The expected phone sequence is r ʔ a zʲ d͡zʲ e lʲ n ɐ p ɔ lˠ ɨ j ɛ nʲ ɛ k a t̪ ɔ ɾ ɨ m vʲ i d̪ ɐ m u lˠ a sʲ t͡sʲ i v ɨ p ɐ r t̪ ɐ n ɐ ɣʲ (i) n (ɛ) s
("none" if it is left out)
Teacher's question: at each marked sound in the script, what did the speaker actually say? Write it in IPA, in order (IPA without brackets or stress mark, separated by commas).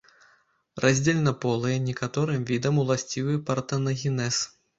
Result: i, ɛ